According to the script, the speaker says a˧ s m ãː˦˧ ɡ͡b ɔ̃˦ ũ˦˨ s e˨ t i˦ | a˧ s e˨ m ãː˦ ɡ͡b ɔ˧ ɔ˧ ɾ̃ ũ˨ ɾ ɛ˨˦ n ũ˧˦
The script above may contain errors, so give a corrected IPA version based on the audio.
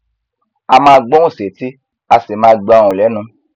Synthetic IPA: a˧ m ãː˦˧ ɡ͡b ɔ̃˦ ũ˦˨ s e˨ t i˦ | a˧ s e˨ m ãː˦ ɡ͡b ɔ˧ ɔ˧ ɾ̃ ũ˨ l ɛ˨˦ n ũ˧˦